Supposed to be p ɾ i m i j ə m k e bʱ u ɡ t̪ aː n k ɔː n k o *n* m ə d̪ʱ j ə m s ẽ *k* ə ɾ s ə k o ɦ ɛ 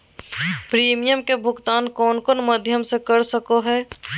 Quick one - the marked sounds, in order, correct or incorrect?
correct, correct

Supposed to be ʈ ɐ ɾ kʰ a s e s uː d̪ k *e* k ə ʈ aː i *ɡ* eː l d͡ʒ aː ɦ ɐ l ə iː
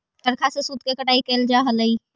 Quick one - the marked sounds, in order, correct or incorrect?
correct, incorrect

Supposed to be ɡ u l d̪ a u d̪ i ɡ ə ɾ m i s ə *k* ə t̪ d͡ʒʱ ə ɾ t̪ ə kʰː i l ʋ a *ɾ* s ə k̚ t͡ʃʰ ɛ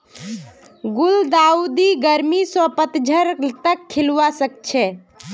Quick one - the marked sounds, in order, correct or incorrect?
incorrect, incorrect

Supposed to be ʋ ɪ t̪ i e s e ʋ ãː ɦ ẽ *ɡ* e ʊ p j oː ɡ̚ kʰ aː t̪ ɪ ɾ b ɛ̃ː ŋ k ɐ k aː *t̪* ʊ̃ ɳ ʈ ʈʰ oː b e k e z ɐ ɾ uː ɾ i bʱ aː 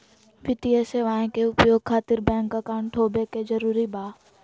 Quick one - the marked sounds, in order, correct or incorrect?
incorrect, incorrect

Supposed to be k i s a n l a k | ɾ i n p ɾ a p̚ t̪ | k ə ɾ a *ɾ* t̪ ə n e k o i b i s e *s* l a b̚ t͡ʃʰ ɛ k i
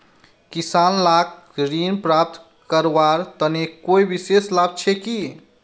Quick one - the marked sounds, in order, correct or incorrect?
correct, correct

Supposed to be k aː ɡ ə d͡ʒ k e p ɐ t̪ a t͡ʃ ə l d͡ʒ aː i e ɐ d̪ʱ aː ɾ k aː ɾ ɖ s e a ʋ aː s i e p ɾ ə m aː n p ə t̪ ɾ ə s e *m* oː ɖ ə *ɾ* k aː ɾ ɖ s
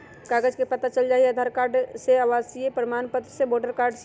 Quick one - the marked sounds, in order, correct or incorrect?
incorrect, correct

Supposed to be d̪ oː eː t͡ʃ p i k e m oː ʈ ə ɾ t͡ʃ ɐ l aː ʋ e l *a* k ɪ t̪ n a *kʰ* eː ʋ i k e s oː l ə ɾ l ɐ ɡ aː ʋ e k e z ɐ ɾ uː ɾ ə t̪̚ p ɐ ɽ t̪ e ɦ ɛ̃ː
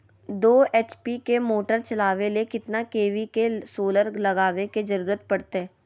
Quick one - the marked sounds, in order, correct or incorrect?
incorrect, incorrect

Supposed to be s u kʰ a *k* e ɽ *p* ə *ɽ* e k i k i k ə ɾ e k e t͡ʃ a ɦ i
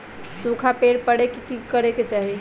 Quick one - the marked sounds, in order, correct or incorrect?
incorrect, correct, correct

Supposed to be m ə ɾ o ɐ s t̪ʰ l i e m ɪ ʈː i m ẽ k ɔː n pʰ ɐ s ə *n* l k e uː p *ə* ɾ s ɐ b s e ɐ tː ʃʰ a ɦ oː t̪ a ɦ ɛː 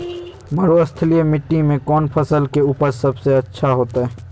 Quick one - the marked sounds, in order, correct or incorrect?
incorrect, correct

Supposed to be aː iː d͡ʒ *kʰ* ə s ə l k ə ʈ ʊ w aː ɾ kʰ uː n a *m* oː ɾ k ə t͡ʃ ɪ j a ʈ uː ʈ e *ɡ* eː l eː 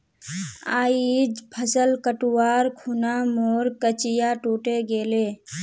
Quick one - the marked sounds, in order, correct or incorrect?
incorrect, correct, correct

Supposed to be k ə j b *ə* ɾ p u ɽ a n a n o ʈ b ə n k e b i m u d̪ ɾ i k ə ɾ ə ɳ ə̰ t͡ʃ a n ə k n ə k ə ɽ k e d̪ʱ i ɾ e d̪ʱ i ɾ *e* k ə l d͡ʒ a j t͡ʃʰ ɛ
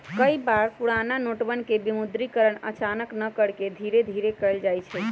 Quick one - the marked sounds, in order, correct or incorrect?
incorrect, correct

